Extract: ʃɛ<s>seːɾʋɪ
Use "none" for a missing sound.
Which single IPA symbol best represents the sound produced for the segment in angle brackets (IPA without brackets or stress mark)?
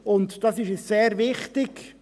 s